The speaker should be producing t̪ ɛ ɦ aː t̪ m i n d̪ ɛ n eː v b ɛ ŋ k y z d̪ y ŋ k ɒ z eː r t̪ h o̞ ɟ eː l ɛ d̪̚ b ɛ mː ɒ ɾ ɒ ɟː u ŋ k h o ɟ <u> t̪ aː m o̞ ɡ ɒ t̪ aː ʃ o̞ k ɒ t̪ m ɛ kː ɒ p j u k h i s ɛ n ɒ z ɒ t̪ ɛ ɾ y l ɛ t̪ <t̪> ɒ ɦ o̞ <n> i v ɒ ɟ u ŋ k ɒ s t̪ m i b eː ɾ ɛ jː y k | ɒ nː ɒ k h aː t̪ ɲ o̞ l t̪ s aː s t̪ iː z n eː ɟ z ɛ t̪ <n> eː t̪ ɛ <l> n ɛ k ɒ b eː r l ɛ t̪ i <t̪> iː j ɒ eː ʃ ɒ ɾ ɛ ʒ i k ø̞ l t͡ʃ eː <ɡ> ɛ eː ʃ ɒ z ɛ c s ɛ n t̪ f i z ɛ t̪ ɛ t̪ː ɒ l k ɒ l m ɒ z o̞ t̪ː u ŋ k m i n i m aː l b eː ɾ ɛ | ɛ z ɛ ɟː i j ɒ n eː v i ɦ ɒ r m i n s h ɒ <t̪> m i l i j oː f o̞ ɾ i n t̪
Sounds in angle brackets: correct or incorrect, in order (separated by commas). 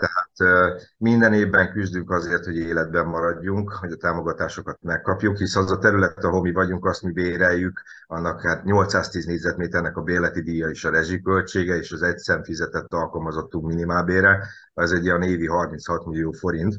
incorrect, correct, incorrect, incorrect, incorrect, incorrect, correct, correct